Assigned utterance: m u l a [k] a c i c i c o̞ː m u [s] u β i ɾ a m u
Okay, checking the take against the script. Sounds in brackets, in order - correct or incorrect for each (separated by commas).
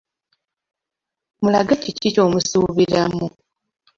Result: incorrect, correct